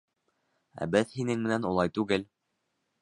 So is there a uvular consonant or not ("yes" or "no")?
no